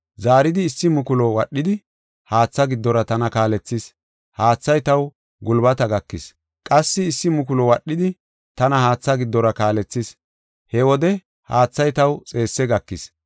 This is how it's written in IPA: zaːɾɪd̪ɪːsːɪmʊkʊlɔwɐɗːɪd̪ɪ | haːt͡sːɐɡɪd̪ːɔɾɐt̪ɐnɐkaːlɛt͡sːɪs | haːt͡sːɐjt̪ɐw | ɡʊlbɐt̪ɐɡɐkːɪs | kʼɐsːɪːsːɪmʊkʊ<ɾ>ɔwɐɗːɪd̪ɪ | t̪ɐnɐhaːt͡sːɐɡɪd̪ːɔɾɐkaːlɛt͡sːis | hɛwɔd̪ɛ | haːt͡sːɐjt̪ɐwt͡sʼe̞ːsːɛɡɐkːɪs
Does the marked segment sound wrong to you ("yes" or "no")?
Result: yes